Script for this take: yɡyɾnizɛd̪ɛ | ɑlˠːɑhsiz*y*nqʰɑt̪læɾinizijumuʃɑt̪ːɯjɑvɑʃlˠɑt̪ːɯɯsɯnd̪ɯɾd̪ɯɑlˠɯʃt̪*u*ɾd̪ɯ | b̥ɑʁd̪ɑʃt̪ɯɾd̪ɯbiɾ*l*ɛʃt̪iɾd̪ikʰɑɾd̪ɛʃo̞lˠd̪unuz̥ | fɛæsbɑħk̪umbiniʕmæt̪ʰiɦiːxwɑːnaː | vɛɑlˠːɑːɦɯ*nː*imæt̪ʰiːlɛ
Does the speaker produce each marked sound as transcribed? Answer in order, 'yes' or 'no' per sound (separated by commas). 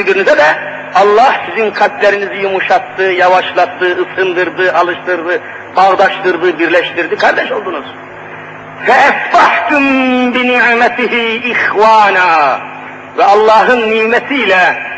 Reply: no, no, yes, yes